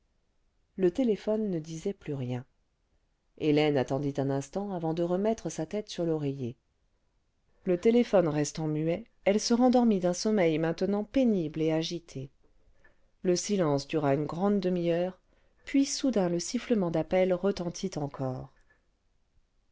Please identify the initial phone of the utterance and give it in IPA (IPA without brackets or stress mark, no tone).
l